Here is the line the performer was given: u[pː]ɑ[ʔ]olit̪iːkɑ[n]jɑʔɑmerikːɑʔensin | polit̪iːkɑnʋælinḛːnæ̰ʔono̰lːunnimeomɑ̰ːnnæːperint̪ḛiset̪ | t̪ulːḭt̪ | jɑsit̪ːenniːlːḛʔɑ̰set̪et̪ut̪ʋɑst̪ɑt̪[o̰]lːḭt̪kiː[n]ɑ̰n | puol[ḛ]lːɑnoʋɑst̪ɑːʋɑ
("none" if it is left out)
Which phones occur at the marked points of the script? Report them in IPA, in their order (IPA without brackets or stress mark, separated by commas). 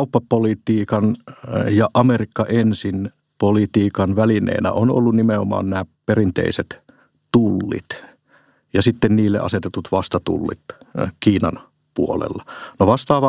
pː, p, n, ṵ, n, ḛ